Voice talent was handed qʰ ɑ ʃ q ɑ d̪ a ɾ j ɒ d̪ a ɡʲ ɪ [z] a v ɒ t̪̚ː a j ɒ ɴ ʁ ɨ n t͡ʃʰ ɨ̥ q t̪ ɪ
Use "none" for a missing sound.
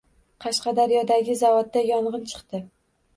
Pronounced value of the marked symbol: z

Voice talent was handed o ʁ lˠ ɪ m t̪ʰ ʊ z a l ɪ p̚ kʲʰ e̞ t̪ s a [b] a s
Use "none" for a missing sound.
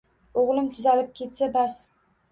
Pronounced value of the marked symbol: b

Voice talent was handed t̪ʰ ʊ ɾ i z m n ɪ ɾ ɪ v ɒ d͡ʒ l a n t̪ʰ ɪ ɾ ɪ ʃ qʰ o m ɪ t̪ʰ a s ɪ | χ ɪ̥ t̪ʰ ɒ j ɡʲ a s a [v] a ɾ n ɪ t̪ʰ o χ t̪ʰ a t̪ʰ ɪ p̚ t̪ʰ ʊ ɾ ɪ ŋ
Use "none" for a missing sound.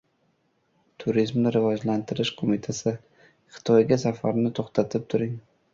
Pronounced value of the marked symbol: f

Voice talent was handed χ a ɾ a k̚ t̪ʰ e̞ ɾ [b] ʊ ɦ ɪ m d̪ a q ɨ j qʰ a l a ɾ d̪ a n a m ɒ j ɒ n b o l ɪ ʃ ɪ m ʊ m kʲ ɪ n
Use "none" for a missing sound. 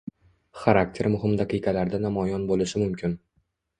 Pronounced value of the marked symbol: m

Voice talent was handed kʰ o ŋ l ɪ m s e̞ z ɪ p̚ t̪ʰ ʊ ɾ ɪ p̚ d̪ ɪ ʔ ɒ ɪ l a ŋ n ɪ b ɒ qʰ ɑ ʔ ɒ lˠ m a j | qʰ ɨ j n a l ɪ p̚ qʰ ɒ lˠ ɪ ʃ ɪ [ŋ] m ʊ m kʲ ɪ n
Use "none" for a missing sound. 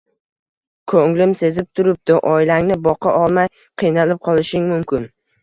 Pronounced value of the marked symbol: ŋ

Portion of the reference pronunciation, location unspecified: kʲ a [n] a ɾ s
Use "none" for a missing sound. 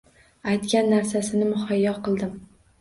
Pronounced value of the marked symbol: nː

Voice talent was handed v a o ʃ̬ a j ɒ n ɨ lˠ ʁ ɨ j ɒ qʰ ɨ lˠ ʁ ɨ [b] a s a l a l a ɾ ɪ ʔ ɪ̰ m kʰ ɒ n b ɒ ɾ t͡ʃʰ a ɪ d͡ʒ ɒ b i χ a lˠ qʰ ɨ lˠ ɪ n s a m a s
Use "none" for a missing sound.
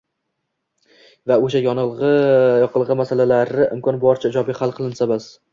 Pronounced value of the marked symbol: m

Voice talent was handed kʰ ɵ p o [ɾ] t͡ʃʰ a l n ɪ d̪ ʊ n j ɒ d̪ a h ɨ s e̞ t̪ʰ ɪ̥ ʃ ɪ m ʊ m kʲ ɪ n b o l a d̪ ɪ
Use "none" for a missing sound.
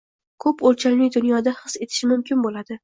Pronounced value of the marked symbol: l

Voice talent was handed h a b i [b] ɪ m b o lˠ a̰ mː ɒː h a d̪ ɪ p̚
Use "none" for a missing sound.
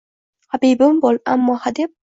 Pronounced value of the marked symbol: b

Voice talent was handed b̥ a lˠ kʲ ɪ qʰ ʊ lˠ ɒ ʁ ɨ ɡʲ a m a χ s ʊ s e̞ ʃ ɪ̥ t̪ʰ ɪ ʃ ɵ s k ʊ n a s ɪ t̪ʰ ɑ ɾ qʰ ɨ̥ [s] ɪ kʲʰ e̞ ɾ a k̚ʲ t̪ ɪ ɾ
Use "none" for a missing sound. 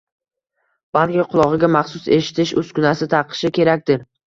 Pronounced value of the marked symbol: ʃ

